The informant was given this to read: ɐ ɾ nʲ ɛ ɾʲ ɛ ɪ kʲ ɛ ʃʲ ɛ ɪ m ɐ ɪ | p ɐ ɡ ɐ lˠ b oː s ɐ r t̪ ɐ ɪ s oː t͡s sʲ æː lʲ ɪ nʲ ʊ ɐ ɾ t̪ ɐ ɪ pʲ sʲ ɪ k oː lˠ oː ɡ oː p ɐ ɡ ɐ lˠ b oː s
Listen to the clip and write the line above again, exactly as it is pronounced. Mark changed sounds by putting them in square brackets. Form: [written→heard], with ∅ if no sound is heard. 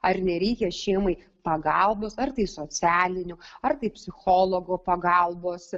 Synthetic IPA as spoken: ɐ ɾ nʲ ɛ ɾʲ ɛ ɪ kʲ ɛ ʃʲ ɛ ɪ m ɐ ɪ | p ɐ ɡ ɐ lˠ b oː s ɐ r t̪ ɐ ɪ s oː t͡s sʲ æː lʲ ɪ nʲ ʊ ɐ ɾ t̪ ɐ ɪ pʲ sʲ ɪ [k→x] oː lˠ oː ɡ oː p ɐ ɡ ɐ lˠ b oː s